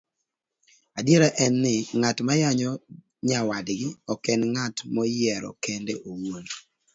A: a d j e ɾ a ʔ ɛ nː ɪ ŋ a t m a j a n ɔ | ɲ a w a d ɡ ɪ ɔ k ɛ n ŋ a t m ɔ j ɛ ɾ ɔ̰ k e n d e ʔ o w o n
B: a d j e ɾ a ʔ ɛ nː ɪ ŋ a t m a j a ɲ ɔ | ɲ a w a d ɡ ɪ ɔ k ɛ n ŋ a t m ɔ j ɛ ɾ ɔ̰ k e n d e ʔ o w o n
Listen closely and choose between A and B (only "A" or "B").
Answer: B